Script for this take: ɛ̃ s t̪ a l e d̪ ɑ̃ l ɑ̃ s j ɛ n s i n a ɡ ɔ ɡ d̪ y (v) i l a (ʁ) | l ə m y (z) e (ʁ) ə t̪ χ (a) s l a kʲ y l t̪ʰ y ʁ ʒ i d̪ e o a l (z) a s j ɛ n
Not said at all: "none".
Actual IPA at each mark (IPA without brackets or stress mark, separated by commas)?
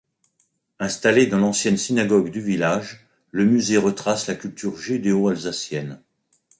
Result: v, ʒ, z, ʁ, a, z